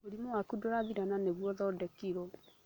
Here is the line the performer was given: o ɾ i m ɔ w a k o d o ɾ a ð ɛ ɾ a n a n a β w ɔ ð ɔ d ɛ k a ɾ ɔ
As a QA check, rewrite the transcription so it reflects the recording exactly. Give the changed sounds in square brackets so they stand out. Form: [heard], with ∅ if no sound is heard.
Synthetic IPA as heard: o ɾ i m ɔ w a k [u] d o ɾ a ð [i] ɾ a n a n [e] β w ɔ ð ɔ d ɛ k [i] ɾ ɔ